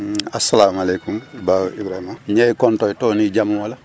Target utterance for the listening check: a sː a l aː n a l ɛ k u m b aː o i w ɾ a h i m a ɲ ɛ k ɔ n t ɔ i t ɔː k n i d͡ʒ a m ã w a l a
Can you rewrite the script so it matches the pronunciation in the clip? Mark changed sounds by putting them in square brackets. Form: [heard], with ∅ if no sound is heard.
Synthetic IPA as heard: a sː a l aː [m] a l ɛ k u m b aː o i [b] ɾ a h i m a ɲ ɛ k ɔ n t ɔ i t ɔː [∅] n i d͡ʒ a m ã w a l a